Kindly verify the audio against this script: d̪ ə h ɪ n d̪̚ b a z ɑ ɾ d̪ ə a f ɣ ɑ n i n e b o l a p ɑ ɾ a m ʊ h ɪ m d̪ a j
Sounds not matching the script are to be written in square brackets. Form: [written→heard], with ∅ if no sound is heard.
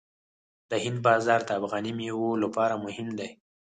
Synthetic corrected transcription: d̪ ə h ɪ n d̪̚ b [a→ɑ] z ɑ ɾ d̪ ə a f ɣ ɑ n i [n→m] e [b→w] o l a p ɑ ɾ a m ʊ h ɪ m d̪ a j